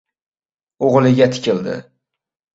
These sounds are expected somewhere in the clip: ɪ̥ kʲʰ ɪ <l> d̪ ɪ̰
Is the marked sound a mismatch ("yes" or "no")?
no